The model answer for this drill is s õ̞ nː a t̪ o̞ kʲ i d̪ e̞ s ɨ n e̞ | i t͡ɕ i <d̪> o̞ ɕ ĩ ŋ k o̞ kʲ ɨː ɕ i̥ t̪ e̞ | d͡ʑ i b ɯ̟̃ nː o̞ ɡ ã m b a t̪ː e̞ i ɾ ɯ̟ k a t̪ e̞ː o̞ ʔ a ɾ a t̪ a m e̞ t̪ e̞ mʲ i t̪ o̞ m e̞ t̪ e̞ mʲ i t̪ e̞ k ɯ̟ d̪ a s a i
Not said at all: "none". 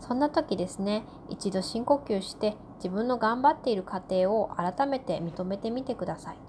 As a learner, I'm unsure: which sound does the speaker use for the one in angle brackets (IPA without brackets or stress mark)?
d̪